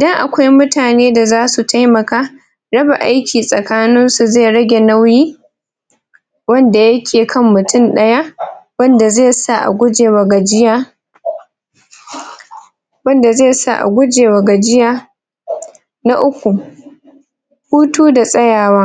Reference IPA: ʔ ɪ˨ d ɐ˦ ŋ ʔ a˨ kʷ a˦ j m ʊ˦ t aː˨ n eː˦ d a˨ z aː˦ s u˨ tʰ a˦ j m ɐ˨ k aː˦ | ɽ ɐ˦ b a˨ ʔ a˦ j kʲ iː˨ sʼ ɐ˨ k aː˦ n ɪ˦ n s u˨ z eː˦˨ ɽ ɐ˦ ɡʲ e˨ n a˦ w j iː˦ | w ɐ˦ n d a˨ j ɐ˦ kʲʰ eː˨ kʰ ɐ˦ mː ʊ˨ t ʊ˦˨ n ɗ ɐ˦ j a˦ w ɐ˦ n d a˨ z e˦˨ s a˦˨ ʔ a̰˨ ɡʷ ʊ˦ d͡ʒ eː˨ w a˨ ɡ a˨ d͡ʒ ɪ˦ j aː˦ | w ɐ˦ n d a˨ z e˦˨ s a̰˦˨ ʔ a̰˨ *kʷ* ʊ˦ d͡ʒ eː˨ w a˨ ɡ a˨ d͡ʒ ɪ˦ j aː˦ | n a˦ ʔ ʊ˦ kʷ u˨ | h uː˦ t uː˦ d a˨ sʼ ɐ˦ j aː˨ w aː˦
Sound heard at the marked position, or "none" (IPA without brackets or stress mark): ɡʷ